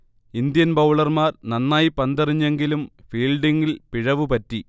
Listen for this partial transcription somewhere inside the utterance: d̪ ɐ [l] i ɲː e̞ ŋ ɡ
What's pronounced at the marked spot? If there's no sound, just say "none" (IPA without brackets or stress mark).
r